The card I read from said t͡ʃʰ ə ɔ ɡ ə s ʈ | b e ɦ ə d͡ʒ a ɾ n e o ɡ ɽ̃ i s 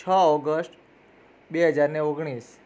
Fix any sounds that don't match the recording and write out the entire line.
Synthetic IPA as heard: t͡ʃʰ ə ɔ ɡ ə s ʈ | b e ɦ ə d͡ʒ a ɾ n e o ɡ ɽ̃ i s